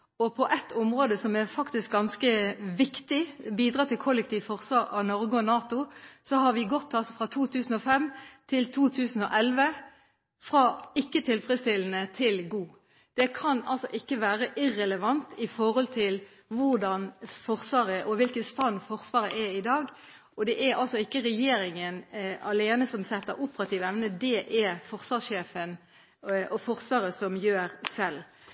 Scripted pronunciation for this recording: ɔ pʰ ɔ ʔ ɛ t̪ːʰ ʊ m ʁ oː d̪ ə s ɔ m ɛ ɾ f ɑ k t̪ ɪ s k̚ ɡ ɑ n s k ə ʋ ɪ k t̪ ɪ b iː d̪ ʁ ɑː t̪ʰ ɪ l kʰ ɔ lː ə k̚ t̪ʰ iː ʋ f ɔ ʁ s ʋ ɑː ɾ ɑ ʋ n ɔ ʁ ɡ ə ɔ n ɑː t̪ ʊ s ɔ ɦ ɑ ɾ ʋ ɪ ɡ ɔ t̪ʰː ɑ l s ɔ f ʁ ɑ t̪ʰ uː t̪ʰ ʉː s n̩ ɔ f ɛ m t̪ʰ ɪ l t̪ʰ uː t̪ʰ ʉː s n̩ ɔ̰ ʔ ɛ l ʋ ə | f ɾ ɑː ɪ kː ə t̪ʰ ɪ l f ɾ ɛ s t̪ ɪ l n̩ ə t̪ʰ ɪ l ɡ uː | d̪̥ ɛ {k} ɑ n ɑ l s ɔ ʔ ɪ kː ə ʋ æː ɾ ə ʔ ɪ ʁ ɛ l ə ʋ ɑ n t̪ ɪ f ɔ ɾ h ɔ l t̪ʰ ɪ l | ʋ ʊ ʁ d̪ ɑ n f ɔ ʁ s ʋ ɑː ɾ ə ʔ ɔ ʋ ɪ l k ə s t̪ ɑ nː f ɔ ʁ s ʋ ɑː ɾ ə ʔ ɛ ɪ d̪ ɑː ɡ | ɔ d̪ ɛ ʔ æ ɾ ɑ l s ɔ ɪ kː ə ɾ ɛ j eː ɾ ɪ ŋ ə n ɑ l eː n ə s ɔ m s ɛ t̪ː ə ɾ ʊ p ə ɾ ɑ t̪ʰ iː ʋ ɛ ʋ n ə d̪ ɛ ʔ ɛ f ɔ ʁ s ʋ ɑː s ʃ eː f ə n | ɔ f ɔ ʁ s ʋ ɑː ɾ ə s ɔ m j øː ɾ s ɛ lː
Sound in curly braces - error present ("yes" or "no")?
yes